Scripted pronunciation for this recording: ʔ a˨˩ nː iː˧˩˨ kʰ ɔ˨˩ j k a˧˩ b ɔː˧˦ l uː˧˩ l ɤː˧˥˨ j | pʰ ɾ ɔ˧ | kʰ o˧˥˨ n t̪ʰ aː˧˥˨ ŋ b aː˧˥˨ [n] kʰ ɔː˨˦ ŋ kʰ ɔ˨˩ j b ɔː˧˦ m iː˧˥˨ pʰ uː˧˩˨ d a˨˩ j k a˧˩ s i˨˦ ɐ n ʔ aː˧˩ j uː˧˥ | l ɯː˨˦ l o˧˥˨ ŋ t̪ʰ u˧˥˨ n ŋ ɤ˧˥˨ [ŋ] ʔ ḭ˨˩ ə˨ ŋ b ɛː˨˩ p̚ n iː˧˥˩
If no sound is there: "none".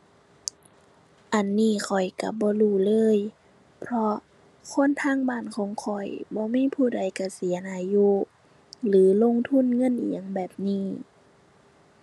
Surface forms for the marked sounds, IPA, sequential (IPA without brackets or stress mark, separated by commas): n, n